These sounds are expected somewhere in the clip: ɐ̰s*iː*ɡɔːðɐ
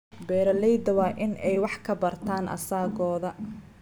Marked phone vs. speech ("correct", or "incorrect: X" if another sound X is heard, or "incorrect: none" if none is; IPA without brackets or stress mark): incorrect: aː